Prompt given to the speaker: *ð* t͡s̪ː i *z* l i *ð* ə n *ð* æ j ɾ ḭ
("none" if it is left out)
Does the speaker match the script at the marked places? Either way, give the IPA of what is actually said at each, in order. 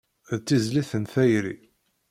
ð, z, θ, θ

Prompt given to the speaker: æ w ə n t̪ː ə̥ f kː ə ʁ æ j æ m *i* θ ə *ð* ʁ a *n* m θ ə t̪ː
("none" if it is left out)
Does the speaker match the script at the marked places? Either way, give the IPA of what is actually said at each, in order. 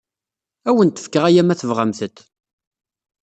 æ, v, none

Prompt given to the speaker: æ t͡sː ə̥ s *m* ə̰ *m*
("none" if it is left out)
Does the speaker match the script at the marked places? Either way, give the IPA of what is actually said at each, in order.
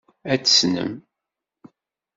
n, m

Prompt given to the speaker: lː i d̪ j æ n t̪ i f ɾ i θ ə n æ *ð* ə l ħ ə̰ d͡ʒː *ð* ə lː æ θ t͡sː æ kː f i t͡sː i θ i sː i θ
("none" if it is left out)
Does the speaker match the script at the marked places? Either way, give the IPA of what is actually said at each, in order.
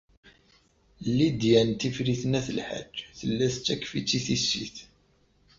θ, θ

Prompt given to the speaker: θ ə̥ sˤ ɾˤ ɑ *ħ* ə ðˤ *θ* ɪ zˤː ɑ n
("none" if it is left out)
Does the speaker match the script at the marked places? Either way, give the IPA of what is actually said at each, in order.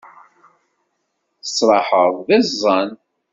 ħ, ð

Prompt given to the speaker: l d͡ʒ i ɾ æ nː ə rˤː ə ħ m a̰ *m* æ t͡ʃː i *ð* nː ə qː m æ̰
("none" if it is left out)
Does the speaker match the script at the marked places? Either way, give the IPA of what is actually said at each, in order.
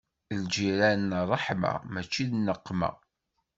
m, ð

